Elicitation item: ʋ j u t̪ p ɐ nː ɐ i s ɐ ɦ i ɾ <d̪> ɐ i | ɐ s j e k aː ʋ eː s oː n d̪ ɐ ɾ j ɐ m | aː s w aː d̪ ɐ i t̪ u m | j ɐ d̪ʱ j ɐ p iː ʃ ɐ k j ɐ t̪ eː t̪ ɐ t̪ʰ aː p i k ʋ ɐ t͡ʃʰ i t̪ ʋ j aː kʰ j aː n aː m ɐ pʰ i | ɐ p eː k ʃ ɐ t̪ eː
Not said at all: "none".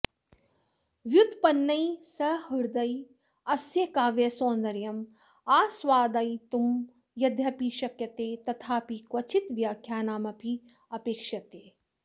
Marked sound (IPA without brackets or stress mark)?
d̪